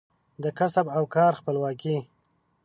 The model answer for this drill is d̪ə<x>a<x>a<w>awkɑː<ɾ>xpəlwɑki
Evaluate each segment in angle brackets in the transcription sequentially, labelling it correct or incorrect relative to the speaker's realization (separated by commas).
incorrect, incorrect, incorrect, correct